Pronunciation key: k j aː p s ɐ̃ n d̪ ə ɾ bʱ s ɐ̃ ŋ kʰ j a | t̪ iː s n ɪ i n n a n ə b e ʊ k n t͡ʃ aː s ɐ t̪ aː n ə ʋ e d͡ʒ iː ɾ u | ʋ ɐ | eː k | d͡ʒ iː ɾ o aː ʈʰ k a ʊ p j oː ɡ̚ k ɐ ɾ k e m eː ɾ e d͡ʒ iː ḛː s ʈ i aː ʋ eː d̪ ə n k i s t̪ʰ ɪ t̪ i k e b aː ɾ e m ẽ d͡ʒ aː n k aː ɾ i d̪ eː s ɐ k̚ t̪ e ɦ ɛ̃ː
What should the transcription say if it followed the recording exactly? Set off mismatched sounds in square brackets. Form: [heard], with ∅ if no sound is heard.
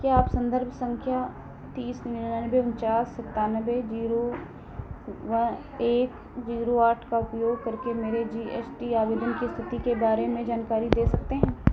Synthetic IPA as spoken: k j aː p s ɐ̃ n d̪ ə ɾ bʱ s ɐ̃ ŋ kʰ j a | t̪ iː s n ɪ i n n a n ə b e ʊ [∅] n t͡ʃ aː s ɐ t̪ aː n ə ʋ e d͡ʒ iː ɾ [o] | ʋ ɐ | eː k | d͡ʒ iː ɾ o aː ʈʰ k a ʊ p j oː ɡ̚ k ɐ ɾ k e m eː ɾ e d͡ʒ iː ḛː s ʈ i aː ʋ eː d̪ ə n k i s t̪ʰ ɪ t̪ i k e b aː ɾ e m ẽ d͡ʒ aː n k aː ɾ i d̪ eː s ɐ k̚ t̪ e ɦ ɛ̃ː